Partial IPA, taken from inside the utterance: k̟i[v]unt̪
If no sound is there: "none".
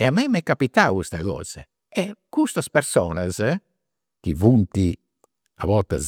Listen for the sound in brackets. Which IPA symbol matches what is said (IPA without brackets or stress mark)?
v